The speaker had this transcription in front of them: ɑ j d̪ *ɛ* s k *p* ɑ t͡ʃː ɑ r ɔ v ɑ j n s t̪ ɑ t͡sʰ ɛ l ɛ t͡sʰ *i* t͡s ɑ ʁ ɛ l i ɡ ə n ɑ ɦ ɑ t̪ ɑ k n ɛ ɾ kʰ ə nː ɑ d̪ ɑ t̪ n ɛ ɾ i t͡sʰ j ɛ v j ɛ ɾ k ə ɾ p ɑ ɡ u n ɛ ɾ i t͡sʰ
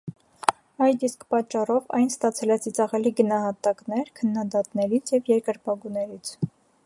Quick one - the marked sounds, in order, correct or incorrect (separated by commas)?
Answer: incorrect, correct, correct